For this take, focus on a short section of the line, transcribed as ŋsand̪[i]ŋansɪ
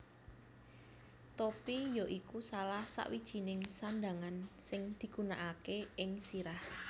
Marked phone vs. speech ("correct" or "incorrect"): incorrect